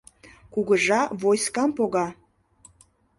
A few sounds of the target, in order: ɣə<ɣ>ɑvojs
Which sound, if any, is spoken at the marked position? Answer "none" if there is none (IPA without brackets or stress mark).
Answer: ʒ